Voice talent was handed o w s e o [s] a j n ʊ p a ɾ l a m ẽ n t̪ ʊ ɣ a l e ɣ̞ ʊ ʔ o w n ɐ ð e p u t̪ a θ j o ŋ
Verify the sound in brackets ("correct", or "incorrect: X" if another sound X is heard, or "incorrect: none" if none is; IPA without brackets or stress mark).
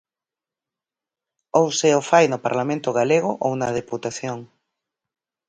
incorrect: f